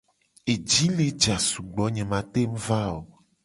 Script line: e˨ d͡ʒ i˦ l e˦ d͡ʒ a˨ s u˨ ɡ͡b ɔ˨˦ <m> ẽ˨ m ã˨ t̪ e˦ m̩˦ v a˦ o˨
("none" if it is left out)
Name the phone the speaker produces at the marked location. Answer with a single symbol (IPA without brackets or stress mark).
ɲ